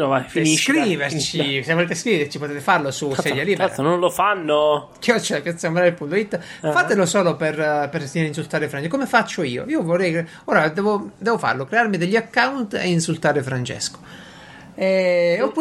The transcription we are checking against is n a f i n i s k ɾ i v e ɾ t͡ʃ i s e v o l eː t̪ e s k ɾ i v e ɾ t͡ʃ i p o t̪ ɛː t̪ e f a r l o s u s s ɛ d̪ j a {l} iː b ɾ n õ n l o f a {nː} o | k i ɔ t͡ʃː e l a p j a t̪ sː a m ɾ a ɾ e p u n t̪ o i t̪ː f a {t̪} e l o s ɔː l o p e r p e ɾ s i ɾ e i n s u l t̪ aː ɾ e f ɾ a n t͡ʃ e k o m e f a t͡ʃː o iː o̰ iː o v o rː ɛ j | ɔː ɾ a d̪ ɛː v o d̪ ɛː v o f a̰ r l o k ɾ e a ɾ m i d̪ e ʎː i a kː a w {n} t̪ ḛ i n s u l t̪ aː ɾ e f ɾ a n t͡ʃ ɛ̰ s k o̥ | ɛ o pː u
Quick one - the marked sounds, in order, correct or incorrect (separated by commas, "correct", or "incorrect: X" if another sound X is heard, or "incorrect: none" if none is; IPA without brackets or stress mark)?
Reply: correct, correct, correct, correct